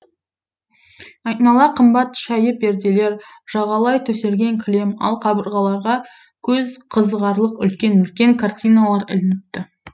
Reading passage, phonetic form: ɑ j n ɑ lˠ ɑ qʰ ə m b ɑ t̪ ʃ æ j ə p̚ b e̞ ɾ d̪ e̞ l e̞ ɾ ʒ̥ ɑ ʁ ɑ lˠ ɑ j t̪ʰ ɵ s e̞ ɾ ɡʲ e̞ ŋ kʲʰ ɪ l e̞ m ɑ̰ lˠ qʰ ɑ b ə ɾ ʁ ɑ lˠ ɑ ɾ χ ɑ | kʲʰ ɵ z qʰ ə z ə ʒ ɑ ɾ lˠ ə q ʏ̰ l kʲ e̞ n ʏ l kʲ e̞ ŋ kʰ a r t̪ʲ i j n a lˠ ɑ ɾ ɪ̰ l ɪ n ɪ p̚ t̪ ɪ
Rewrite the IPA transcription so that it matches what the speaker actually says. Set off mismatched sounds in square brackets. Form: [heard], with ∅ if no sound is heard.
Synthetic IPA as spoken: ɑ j n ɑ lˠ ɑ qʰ ə m b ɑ t̪ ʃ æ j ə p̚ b e̞ ɾ d̪ e̞ l e̞ ɾ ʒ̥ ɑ ʁ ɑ lˠ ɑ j t̪ʰ ɵ s e̞ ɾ ɡʲ e̞ ŋ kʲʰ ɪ l e̞ m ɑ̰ lˠ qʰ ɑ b ə ɾ ʁ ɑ lˠ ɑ ɾ [ʁ] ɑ | kʲʰ ɵ z qʰ ə z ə [ʁ] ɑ ɾ lˠ ə q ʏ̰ l kʲ e̞ n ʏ l kʲ e̞ ŋ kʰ a r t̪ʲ i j n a lˠ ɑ ɾ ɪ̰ l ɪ n ɪ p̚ t̪ ɪ